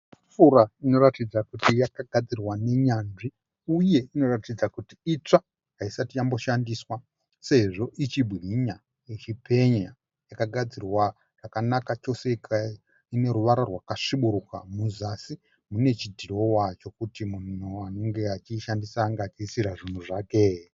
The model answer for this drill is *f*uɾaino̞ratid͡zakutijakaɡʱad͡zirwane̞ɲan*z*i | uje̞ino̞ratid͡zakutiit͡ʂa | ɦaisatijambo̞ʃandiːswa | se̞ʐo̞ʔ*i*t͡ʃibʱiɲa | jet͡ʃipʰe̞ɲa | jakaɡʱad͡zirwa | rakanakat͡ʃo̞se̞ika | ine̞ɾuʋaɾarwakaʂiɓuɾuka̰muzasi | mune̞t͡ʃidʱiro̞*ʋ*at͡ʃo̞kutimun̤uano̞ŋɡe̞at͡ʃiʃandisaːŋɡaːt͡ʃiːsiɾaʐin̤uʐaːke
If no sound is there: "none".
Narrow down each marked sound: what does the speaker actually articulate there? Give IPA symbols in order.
f, ʐ, i, w

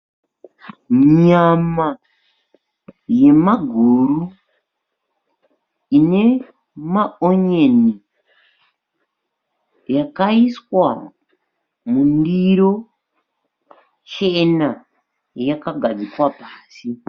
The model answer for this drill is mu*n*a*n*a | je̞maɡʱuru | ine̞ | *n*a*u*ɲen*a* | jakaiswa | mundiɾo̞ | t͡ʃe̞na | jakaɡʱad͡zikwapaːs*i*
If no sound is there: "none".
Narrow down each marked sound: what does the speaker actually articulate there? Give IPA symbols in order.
ɲ, m, m, o, i, i

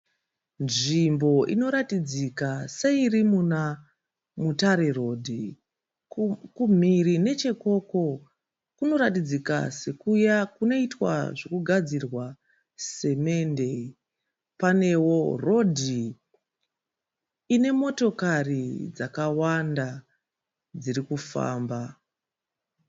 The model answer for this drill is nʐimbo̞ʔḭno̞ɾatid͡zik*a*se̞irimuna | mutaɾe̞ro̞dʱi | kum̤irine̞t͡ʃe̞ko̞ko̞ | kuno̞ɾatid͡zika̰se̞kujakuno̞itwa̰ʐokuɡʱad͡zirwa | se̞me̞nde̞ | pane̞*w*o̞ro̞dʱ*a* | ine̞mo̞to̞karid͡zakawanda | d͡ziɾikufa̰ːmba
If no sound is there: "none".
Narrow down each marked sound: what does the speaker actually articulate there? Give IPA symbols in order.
a, w, i

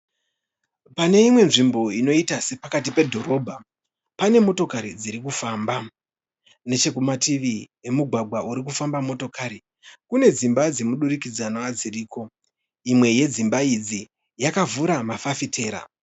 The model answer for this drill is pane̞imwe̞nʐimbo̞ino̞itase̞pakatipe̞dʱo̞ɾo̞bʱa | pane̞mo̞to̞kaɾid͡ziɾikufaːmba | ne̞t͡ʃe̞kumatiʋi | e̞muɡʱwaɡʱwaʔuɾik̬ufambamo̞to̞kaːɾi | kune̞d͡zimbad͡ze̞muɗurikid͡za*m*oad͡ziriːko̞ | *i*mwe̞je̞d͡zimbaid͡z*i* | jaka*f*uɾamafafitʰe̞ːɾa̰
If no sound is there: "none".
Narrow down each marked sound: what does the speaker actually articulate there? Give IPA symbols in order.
n, i, i, v

